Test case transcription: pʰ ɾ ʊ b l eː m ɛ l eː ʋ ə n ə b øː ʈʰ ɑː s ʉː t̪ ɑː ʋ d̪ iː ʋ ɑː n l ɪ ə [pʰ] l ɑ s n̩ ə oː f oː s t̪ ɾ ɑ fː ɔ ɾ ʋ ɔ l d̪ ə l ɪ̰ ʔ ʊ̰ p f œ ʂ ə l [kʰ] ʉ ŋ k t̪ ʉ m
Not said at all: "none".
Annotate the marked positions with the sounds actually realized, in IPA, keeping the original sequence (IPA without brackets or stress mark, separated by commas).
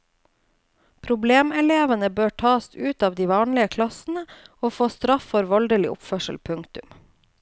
kʰ, pʰ